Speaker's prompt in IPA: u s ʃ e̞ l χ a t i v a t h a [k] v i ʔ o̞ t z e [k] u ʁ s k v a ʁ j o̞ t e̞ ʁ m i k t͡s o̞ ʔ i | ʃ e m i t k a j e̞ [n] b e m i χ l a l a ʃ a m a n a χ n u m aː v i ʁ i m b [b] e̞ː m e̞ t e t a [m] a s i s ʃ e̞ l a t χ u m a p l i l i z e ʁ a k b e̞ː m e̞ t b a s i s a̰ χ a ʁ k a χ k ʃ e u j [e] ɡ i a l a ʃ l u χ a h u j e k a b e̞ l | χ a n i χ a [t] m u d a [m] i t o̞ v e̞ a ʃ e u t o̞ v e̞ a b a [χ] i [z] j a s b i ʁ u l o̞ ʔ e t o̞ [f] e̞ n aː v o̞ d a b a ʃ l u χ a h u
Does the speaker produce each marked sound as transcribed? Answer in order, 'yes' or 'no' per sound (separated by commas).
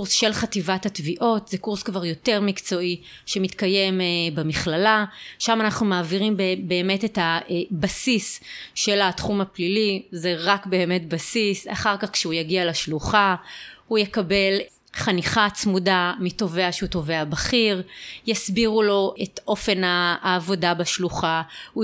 no, yes, no, yes, no, no, no, yes, yes, no, yes